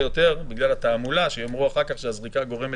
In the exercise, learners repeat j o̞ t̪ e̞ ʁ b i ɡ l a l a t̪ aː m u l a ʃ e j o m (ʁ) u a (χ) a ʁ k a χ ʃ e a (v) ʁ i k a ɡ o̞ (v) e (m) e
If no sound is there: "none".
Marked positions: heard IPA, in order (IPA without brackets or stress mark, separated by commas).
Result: ʁ, χ, z, ʁ, m